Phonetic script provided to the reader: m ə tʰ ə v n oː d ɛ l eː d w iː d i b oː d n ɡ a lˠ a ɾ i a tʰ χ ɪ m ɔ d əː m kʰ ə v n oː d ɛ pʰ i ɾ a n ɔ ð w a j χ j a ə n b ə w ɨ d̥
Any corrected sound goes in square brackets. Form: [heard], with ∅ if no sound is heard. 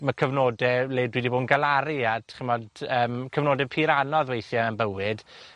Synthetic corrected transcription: m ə [kʰ] ə v n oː d ɛ l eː d w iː d i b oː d n ɡ a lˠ a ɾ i a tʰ χ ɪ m ɔ d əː m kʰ ə v n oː d ɛ pʰ i ɾ a n ɔ ð w [e] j [θ] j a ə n b ə w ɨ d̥

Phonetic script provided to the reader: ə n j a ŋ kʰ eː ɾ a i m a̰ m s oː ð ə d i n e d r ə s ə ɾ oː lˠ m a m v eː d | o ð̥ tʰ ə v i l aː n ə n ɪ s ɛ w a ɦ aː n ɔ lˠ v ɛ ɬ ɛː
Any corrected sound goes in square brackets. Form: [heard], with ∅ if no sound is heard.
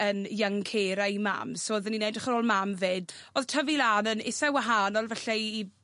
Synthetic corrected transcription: ə n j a ŋ kʰ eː ɾ a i m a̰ m s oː ð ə [n] i n e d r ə [χ] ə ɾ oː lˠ m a m v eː d | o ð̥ tʰ ə v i l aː n ə n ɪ s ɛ w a ɦ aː n ɔ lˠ v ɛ ɬ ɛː

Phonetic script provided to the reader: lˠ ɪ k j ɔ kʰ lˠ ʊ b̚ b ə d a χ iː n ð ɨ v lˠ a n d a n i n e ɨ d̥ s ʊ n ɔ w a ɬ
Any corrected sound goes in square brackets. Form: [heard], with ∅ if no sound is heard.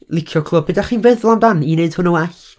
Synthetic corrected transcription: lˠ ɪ [kʰ] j ɔ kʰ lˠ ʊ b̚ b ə d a χ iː n [v] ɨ [ð] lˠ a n d a n i n e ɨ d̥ [h] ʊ n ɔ w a ɬ

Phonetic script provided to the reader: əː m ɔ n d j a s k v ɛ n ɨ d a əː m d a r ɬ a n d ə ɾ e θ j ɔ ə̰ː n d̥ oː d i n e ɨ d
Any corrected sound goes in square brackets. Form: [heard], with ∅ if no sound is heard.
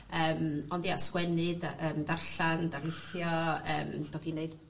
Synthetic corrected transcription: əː m ɔ n d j a s k [w] ɛ n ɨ d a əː m d a r ɬ a n d [a] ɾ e θ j ɔ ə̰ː [m] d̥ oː d i n e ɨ d

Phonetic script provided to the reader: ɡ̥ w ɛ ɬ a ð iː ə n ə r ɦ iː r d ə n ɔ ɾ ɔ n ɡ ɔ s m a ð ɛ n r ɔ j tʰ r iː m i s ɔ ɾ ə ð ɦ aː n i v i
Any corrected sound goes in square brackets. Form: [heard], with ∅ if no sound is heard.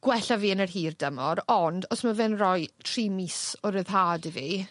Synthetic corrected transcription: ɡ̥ w ɛ ɬ a [v] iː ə n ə r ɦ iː r d ə [m] ɔ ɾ ɔ n [d] ɔ s m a [v] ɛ n r ɔ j tʰ r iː m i s ɔ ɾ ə ð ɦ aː [d] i v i

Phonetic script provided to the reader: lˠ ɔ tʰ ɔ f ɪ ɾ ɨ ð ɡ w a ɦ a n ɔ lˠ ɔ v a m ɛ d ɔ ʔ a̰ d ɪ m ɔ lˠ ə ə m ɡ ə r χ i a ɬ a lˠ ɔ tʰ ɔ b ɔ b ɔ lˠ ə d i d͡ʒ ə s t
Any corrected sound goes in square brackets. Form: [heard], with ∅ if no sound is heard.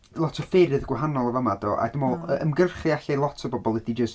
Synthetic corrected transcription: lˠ ɔ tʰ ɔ f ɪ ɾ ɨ ð ɡ w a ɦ a n ɔ lˠ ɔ v a m [a] d ɔ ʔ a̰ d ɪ m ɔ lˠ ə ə m ɡ ə r χ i a ɬ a lˠ ɔ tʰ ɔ b ɔ b ɔ lˠ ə d i d͡ʒ ə s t

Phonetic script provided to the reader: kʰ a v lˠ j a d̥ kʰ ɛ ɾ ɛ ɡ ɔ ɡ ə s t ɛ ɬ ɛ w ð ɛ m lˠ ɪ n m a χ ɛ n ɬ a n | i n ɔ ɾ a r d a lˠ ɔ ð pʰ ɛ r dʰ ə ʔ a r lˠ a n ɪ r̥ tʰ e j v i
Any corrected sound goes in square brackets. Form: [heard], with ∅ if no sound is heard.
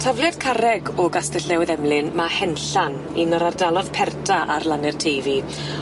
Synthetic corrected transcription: [tʰ] a v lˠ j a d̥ kʰ [a] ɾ ɛ ɡ ɔ ɡ [a] s t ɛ ɬ ɛ w ð ɛ m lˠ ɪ n m a [h] ɛ n ɬ a n | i n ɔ ɾ a r d a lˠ ɔ ð pʰ ɛ r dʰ [a] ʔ a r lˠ a n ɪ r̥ tʰ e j v i

